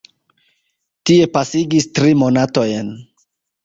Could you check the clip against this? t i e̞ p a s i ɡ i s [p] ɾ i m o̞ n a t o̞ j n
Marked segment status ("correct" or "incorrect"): incorrect